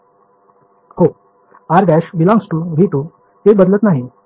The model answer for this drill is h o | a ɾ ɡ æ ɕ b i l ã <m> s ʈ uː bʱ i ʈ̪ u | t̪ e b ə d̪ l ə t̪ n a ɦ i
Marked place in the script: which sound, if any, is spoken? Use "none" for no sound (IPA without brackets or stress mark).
ŋ